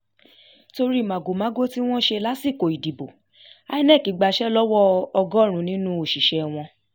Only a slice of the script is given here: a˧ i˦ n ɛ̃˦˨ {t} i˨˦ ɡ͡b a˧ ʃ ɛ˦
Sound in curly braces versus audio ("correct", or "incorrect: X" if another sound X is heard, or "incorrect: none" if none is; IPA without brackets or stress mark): incorrect: k